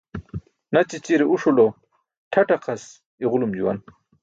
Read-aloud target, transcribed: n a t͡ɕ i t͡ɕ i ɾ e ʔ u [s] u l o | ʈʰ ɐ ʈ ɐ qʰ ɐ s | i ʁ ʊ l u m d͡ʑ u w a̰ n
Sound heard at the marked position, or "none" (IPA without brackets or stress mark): ʂ